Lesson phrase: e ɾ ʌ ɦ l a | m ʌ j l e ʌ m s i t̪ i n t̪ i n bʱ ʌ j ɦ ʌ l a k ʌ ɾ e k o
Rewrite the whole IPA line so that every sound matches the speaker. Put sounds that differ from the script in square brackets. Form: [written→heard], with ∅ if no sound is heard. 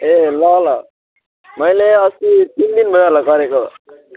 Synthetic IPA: e [ɾ→l] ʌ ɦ l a | m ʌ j l e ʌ [m→∅] s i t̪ i n [t̪→d̪] i n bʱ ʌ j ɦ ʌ l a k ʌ ɾ e k o